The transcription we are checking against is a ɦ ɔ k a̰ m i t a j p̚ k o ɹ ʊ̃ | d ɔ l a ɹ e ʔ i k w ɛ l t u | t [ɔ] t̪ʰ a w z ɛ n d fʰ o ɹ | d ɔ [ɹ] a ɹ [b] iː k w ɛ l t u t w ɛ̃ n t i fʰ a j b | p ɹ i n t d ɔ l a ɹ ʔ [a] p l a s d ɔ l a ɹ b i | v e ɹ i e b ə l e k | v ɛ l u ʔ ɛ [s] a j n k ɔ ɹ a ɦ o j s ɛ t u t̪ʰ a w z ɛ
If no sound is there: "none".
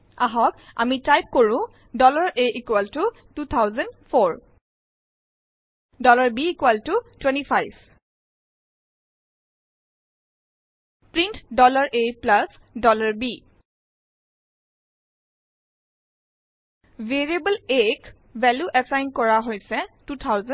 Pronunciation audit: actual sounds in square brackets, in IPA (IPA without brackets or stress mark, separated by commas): u, l, b, e, s